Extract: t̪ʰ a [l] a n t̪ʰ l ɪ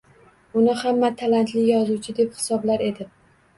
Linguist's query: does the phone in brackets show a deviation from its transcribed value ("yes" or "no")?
no